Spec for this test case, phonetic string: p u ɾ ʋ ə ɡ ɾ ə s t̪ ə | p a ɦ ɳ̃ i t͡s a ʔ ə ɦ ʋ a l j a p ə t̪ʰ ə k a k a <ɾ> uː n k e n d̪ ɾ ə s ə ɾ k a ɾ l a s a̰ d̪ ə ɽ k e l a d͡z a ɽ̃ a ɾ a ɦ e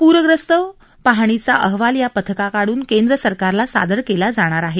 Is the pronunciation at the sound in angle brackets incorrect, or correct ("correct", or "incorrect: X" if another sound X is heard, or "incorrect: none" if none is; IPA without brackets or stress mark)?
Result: incorrect: ɽ